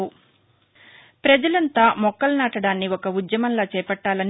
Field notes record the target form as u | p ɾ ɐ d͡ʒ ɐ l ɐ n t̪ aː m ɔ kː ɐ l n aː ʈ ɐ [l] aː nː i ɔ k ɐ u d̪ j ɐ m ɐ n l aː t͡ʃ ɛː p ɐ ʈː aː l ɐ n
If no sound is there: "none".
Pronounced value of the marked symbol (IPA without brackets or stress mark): ɽ